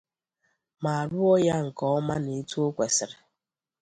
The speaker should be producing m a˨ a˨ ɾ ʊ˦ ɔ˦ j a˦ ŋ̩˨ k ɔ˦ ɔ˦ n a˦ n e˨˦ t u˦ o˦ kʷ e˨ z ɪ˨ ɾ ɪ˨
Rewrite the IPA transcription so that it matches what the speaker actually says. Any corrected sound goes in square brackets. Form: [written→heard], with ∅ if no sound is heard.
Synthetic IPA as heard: m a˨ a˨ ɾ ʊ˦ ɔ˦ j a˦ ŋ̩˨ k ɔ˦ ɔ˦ [n→m] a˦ n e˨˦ t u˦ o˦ kʷ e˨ [z→s] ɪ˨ ɾ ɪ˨